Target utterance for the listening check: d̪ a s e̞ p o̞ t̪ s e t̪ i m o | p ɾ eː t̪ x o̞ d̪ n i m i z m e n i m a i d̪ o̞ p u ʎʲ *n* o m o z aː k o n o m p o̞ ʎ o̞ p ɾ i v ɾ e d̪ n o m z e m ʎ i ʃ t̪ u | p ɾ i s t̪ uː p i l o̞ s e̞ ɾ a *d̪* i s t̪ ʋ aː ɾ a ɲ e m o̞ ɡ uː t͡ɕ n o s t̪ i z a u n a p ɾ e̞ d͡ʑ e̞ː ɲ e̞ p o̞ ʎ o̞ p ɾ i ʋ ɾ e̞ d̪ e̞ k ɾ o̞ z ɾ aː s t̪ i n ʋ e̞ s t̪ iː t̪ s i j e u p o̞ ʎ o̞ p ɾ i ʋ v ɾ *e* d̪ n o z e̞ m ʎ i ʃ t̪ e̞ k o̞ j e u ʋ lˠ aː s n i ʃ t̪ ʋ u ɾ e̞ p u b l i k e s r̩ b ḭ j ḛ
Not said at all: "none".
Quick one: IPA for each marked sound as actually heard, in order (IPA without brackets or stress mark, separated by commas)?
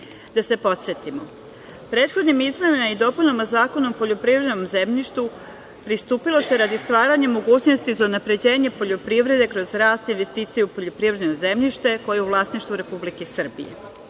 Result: n, d̪, e